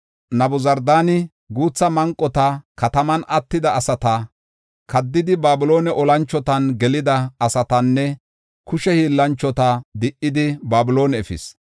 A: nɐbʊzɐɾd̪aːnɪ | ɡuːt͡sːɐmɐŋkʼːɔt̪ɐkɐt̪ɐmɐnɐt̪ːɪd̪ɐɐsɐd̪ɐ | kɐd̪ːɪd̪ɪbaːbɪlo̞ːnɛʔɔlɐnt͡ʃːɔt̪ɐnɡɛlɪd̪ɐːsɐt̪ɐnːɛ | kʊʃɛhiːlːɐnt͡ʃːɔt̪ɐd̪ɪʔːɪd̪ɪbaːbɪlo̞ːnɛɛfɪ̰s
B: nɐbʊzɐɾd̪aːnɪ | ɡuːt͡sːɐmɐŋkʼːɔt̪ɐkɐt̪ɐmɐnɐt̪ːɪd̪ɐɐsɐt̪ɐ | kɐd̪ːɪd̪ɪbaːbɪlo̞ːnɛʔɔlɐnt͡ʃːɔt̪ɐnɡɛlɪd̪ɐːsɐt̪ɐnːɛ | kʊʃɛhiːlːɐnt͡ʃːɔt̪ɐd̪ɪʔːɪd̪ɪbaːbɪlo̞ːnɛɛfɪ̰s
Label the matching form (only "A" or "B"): B